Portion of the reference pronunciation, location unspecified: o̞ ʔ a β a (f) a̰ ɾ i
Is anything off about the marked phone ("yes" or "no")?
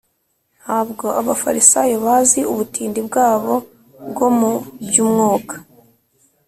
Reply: no